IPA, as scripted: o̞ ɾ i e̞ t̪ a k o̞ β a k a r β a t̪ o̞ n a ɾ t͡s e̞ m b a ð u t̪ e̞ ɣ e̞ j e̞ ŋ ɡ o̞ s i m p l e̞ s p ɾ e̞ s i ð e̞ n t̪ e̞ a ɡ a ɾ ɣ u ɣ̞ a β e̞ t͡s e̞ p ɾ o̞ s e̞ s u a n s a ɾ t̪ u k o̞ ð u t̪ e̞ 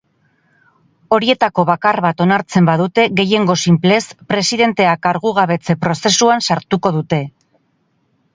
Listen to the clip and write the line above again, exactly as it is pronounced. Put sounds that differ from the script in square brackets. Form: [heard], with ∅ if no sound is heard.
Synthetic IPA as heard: o̞ ɾ i e̞ t̪ a k o̞ β a k a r β a t̪ o̞ n a ɾ t͡s e̞ m b a ð u t̪ e̞ ɣ e̞ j e̞ ŋ ɡ o̞ s i m p l e̞ s p ɾ e̞ s i ð e̞ n t̪ e̞ a [k] a ɾ ɣ u ɣ̞ a β e̞ t͡s e̞ p ɾ o̞ s e̞ s u a n s a ɾ t̪ u k o̞ ð u t̪ e̞